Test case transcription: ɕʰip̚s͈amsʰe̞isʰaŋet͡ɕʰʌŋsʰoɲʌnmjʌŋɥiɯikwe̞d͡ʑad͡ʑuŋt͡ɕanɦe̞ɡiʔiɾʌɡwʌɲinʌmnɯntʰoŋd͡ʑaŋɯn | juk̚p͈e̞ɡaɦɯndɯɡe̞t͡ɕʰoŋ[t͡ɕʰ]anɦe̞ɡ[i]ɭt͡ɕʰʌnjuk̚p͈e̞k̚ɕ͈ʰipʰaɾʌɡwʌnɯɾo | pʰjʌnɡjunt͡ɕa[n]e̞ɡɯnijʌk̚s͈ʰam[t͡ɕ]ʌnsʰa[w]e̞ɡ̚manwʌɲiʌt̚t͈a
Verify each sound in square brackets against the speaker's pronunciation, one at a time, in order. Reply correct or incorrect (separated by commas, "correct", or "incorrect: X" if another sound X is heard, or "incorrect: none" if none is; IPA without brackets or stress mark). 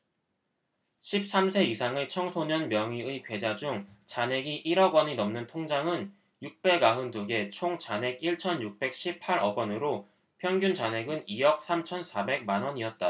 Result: incorrect: t͡ɕ, correct, correct, incorrect: t͡ɕʰ, incorrect: b